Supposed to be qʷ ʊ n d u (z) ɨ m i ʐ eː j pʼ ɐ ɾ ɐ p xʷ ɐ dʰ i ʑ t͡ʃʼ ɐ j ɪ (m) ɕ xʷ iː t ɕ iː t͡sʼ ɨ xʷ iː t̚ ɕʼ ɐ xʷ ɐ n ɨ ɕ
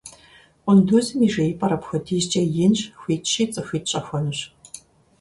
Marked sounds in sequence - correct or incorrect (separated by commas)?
correct, incorrect